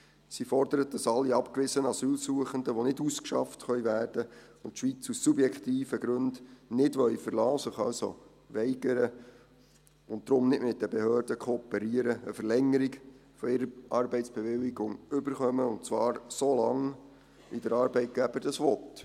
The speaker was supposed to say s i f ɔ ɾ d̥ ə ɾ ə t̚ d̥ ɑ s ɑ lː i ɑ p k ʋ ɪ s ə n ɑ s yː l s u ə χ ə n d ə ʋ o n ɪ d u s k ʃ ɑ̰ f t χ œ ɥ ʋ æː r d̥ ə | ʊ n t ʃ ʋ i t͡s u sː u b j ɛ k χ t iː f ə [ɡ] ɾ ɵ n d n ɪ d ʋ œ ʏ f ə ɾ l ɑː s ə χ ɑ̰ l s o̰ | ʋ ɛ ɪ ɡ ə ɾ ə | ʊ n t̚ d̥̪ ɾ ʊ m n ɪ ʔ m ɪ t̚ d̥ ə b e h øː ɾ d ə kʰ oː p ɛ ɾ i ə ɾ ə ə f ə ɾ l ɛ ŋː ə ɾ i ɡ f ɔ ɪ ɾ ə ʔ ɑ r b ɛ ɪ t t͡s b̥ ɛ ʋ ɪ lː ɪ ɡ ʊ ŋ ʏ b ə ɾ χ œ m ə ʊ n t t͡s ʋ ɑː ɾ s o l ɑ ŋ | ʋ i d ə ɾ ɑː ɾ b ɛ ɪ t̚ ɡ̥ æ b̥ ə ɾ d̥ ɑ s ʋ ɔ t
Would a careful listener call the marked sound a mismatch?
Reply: no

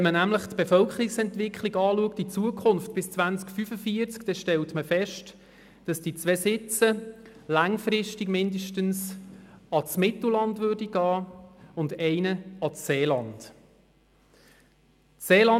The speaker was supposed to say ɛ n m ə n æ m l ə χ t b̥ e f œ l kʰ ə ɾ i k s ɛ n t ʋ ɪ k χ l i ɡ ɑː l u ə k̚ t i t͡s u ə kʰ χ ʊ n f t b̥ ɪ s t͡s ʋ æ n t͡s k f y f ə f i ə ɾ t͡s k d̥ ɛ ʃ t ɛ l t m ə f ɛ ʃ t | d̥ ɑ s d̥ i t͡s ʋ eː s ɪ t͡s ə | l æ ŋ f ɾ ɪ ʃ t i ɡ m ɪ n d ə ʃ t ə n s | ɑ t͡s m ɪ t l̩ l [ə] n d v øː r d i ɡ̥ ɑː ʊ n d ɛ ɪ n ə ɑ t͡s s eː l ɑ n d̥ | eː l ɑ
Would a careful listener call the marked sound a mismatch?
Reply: yes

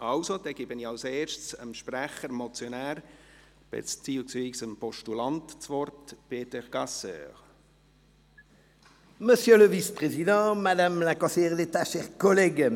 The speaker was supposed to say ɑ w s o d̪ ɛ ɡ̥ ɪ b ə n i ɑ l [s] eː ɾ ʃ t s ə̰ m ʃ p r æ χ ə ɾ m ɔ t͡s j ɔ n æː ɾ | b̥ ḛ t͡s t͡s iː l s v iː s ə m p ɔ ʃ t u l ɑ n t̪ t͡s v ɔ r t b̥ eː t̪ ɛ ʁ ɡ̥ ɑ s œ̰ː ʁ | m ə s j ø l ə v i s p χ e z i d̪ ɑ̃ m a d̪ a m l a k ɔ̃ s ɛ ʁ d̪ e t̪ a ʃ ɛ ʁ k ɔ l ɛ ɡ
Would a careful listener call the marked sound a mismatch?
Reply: no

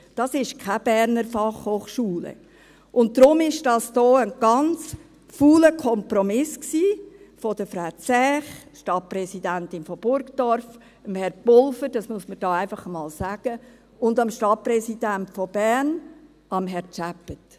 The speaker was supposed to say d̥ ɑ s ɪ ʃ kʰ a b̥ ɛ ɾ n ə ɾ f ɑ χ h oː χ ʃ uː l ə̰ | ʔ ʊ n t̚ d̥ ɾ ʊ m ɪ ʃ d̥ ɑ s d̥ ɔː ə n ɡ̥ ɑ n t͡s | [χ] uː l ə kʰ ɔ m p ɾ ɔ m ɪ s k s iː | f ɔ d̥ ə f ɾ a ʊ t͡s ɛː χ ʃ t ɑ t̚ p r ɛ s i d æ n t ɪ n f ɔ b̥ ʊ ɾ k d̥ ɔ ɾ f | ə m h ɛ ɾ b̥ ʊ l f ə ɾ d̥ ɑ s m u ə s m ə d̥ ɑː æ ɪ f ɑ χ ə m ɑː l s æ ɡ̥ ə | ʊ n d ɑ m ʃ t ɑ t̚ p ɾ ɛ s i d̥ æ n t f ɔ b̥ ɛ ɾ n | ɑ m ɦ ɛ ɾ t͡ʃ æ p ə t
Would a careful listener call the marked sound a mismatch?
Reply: yes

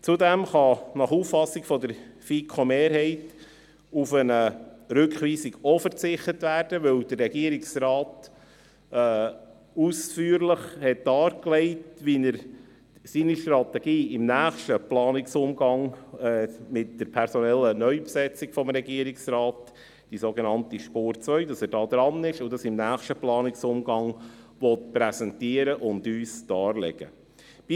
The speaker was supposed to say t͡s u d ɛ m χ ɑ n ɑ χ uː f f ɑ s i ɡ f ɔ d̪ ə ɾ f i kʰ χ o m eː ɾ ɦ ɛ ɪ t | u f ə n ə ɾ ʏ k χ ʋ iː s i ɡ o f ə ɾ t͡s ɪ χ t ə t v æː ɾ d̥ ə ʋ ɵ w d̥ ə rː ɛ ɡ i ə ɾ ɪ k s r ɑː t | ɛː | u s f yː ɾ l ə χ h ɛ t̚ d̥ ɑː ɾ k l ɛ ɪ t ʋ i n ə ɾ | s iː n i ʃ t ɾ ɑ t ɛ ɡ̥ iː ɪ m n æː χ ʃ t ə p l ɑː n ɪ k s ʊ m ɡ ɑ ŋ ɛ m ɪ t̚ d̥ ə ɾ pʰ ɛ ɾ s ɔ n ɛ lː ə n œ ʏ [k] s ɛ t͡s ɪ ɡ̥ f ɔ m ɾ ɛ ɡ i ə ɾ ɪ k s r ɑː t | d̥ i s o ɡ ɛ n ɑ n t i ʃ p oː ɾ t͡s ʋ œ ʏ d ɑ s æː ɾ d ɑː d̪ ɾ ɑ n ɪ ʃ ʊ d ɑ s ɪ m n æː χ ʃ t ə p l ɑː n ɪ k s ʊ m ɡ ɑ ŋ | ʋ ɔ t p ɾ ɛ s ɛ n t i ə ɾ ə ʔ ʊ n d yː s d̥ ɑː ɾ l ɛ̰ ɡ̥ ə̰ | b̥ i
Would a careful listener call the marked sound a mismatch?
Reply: yes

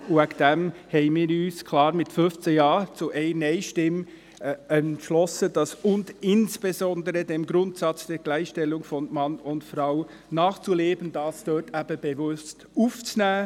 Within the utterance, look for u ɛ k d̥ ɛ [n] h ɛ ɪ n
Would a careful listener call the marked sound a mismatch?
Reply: yes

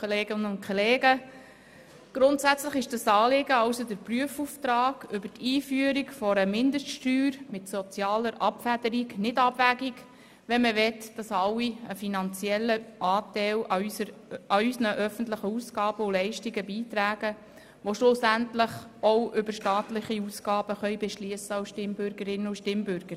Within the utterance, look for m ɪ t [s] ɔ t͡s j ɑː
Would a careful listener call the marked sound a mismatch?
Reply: no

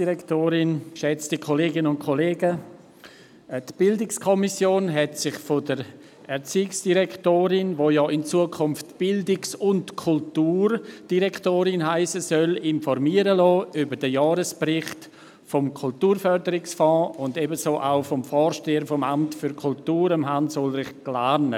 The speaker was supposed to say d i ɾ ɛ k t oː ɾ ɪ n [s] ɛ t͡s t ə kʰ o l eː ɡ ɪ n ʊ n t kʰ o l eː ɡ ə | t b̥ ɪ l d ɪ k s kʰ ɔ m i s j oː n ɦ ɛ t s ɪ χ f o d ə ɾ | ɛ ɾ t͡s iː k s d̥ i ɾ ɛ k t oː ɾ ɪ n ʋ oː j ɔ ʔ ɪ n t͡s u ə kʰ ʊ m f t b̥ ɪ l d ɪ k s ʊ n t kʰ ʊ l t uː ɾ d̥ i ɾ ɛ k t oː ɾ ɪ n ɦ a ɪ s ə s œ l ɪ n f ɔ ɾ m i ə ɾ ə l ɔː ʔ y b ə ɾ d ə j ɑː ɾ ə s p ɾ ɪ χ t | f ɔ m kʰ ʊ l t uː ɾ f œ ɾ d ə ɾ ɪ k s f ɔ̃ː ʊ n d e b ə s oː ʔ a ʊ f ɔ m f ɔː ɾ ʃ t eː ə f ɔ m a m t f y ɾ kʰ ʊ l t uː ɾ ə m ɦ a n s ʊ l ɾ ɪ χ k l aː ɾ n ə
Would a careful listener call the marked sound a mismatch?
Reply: yes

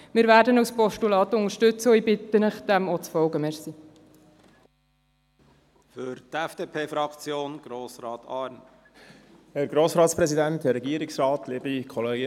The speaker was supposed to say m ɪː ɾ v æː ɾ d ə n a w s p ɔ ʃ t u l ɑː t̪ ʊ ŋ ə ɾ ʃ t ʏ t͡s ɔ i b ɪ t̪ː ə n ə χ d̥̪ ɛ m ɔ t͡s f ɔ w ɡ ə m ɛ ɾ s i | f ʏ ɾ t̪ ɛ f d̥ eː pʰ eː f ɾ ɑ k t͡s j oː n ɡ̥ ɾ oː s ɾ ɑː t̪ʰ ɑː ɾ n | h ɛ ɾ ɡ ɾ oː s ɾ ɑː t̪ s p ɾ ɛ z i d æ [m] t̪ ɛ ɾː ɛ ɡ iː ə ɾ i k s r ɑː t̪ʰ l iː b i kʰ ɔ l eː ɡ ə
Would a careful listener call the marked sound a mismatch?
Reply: yes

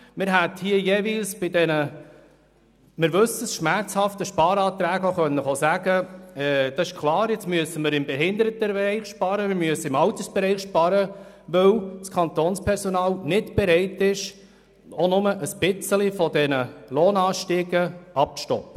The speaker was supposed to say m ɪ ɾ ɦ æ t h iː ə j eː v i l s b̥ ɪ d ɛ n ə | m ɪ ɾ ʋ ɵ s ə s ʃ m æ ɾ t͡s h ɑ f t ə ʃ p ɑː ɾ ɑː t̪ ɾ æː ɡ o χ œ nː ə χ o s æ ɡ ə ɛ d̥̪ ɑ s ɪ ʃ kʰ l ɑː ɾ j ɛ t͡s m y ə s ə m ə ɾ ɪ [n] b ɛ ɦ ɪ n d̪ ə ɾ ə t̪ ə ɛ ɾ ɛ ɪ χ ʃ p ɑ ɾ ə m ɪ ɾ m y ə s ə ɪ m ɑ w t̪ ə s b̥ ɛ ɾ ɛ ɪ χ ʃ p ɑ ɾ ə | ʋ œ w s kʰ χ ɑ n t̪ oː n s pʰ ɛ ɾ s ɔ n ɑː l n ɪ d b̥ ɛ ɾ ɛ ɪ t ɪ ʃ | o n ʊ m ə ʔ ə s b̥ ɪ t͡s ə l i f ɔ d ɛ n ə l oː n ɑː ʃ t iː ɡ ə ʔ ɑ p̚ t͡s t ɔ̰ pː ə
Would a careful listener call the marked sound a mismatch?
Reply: yes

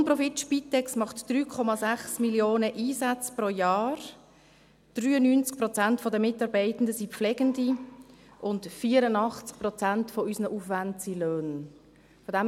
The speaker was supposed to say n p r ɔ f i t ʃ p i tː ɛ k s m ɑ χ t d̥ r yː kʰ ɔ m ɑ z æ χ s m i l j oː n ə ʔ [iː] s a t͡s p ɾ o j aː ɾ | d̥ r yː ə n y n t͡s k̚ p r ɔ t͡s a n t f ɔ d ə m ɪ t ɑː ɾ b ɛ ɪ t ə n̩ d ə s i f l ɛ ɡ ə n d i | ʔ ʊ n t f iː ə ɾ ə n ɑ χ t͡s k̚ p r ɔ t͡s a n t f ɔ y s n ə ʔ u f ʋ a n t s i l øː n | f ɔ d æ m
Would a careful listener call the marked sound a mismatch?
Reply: no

